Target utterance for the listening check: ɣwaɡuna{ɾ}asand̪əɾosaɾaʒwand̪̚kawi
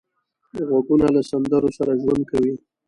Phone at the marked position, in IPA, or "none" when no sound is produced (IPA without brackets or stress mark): l